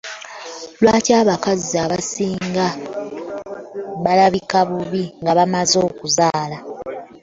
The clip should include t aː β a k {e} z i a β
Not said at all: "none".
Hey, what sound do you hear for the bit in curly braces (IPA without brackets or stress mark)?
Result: a